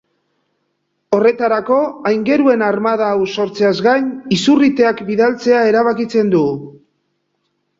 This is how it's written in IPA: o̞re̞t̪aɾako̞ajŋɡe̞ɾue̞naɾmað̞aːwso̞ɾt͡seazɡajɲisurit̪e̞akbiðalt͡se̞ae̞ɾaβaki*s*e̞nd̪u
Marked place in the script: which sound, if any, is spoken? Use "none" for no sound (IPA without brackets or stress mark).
t͡s